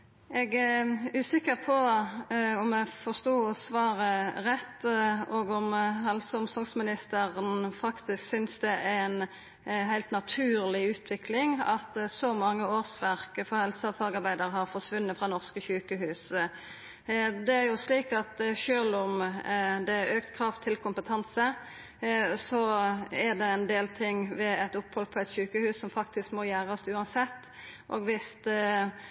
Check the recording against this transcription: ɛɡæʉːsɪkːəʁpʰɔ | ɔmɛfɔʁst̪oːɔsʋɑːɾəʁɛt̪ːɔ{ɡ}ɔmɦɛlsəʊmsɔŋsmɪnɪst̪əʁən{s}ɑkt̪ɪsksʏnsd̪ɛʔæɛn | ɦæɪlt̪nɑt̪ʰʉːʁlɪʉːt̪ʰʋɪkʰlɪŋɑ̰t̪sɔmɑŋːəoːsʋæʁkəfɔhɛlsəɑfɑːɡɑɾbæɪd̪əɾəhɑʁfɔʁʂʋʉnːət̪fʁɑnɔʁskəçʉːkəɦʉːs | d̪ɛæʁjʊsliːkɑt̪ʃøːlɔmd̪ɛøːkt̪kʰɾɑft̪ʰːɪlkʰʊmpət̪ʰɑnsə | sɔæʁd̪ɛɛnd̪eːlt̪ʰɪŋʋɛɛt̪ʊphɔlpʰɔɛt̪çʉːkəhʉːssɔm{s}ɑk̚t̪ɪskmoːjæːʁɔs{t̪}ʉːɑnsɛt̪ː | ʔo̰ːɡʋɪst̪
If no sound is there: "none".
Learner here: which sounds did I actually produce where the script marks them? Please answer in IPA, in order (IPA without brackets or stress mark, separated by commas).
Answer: ɡ, f, f, t̪